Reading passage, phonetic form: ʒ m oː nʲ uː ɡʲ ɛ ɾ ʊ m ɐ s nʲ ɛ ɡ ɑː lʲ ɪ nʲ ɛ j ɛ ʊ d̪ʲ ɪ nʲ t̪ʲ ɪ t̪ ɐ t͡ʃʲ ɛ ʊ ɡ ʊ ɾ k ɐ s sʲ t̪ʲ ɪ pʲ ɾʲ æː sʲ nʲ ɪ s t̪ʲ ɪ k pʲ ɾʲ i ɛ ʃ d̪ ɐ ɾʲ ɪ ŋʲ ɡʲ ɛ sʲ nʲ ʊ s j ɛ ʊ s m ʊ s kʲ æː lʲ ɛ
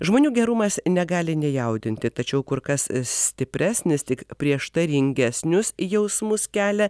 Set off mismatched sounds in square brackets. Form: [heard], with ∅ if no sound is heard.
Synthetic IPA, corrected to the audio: ʒ m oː nʲ uː ɡʲ ɛ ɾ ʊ m ɐ s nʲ ɛ ɡ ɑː lʲ ɪ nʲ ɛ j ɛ ʊ d̪ʲ ɪ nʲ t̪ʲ ɪ t̪ ɐ t͡ʃʲ ɛ ʊ [k] ʊ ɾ k ɐ s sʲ t̪ʲ ɪ pʲ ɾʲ æː sʲ nʲ ɪ s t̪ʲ ɪ k pʲ ɾʲ i ɛ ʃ [t̪] ɐ ɾʲ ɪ ŋʲ ɡʲ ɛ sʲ nʲ ʊ s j ɛ ʊ s m ʊ s kʲ æː lʲ ɛ